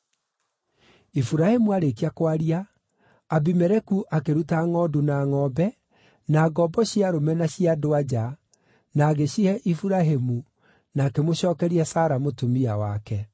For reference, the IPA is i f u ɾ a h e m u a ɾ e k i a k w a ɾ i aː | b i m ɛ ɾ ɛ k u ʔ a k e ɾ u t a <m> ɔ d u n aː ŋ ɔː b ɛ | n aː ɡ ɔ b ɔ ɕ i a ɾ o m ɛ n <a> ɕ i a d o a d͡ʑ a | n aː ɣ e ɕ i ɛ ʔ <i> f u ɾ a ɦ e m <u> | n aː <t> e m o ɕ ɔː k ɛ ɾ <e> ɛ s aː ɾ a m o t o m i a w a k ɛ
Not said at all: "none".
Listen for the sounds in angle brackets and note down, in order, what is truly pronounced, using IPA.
ŋ, a, i, u, k, i

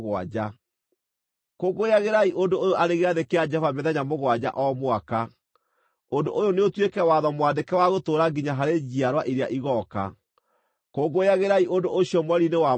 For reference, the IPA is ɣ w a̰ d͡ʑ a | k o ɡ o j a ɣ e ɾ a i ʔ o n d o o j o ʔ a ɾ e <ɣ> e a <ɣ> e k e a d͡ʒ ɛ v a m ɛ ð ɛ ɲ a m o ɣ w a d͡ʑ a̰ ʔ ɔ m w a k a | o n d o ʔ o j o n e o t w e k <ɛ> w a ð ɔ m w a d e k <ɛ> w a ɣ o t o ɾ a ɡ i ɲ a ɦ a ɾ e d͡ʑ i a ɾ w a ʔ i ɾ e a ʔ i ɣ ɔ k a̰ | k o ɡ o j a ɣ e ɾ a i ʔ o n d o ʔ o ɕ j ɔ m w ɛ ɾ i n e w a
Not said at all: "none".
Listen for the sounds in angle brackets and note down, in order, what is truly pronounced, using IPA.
ɣ, ð, ɛ, ɛ

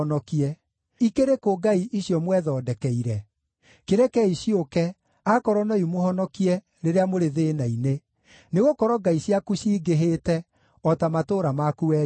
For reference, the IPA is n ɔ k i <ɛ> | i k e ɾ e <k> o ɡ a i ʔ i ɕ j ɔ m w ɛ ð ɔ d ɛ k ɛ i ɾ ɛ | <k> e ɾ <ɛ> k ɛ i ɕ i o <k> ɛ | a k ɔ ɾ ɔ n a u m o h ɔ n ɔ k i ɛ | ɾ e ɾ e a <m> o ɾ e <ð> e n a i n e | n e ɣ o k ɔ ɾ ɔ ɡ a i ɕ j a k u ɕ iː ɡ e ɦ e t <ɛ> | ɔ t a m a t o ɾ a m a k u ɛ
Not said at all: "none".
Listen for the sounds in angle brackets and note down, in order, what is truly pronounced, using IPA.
ɛ, k, k, ɛ, k, m, ð, ɛ

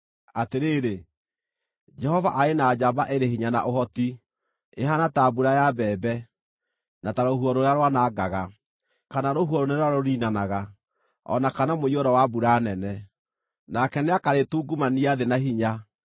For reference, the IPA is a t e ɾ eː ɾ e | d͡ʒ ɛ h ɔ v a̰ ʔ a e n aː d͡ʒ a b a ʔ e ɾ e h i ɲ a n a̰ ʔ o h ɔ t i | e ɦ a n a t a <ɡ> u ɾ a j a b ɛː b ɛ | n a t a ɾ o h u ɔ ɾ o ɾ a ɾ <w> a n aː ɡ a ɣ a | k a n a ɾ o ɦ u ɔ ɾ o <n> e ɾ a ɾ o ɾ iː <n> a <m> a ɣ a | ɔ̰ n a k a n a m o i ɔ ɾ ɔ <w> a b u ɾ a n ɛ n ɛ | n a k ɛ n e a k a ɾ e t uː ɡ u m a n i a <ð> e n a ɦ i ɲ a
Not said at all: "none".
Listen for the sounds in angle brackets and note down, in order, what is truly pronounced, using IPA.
b, w, n, n, n, w, ð

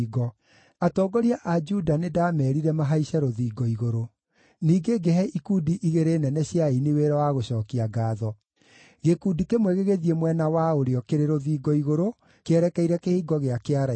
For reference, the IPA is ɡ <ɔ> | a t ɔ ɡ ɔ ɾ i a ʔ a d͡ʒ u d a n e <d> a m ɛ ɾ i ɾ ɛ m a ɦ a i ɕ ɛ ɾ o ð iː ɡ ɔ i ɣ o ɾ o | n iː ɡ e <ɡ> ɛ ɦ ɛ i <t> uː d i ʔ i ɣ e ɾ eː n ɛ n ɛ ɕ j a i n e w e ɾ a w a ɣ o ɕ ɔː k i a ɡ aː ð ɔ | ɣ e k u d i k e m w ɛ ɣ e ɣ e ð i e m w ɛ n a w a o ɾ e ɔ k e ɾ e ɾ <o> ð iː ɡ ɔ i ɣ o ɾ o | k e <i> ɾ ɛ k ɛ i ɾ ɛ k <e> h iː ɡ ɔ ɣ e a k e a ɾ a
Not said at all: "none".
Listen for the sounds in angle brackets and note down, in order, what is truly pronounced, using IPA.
ɔ, d, ɡ, k, o, ɛ, e

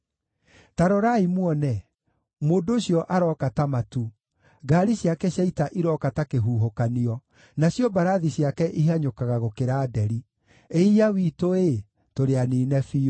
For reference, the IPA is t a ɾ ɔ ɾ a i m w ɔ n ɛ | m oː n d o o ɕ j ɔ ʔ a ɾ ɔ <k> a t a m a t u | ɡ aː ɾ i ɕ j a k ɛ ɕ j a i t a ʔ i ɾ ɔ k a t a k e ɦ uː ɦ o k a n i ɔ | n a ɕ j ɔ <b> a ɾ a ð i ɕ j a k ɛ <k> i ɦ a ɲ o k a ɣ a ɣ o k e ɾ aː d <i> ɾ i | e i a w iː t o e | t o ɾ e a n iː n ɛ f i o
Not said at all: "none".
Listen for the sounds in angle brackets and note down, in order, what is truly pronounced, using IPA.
k, b, ʔ, ɛ

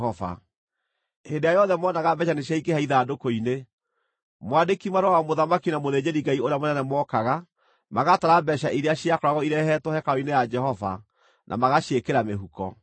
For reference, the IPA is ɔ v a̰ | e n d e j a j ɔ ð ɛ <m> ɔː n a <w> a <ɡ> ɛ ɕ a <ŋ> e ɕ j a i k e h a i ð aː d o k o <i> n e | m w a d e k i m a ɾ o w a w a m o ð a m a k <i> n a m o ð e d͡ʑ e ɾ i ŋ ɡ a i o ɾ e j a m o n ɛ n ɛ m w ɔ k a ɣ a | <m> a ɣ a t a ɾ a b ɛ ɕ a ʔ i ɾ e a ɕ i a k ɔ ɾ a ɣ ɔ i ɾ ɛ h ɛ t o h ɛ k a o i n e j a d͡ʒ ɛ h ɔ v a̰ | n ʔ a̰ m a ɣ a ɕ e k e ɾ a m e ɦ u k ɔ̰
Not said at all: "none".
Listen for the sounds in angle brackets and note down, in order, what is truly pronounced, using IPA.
m, ɣ, b, n, i, i, m

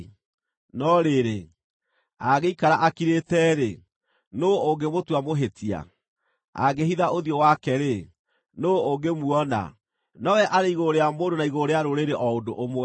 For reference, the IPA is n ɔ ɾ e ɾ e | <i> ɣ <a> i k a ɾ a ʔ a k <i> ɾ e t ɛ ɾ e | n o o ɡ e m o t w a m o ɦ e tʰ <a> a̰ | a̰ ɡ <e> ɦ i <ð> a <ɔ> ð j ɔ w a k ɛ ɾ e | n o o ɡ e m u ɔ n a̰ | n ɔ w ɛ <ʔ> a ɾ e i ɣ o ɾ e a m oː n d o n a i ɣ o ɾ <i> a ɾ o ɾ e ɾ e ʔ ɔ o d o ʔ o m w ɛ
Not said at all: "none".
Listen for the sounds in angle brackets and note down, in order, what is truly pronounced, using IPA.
a, e, i, i, e, ð, o, ʔ, e

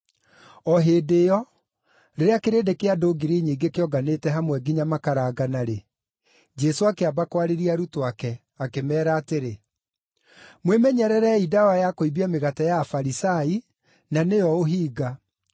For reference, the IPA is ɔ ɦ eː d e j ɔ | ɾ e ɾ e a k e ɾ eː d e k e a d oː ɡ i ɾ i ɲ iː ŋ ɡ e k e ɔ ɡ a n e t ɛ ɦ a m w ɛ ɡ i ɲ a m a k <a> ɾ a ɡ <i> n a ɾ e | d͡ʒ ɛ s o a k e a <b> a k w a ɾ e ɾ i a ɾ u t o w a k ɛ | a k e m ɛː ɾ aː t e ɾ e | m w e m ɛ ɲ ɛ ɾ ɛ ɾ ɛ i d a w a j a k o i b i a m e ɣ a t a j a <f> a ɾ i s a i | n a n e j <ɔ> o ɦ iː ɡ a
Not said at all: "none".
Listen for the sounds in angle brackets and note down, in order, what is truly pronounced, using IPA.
a, a, b, f, ɔ

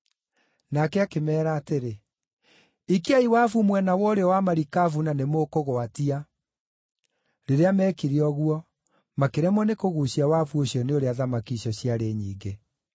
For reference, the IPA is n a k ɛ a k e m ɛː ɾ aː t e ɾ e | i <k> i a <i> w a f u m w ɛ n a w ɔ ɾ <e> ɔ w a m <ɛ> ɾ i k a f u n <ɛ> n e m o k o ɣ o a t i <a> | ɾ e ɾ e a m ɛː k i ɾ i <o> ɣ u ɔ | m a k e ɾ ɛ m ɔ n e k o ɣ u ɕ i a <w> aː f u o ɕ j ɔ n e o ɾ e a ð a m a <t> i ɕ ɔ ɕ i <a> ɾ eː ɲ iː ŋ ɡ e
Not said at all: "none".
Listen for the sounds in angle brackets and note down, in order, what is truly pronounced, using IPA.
k, i, e, a, a, a, ɔ, w, k, a

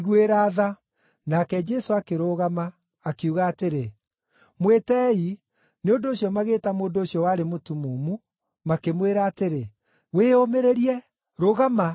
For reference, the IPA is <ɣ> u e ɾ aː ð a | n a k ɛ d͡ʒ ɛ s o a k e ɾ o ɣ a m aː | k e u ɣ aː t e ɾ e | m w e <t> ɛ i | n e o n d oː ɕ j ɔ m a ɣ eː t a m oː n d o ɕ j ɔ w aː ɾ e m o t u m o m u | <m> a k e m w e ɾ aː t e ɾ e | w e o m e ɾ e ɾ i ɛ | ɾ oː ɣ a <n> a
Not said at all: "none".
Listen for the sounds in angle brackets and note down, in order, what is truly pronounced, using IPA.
ɣ, t, m, m

